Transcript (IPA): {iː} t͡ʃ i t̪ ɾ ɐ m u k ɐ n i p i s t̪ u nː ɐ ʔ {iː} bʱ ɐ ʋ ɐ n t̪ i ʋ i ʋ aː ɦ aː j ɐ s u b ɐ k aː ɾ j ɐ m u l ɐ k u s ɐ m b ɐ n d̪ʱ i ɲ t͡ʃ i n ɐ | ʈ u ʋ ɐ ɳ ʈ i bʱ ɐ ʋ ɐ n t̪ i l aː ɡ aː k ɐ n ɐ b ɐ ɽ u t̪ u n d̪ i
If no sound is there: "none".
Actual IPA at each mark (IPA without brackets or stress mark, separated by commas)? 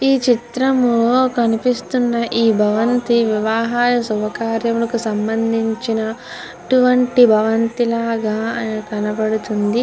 iː, iː